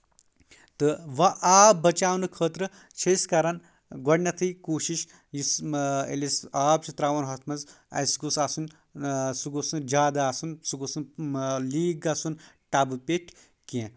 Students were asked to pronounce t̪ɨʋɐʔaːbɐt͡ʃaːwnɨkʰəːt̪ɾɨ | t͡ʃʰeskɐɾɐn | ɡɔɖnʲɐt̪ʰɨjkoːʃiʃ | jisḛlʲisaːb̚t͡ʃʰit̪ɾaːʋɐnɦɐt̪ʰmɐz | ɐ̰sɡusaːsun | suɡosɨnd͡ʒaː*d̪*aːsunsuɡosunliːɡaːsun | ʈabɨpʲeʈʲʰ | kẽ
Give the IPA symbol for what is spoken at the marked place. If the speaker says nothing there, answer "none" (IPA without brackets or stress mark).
d̪